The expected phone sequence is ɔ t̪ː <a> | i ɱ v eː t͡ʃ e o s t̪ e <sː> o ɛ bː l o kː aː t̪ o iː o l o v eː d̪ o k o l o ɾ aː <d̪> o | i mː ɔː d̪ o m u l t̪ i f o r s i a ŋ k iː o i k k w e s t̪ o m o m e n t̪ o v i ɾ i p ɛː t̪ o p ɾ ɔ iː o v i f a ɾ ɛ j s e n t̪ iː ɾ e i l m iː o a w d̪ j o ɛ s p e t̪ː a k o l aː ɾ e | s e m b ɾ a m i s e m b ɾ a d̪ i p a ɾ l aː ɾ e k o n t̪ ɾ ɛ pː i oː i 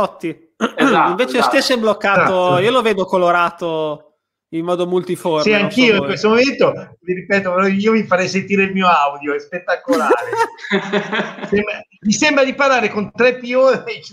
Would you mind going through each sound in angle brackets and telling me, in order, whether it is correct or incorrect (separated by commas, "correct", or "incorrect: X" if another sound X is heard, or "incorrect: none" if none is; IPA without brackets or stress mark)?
incorrect: i, correct, incorrect: t̪